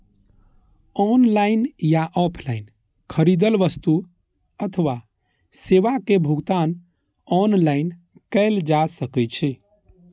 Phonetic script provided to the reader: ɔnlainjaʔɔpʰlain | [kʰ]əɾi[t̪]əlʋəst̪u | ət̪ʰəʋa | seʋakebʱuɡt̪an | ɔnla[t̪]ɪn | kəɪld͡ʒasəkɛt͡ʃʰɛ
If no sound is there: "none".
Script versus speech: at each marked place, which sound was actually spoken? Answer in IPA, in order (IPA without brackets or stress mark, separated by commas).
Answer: kʰ, d̪, none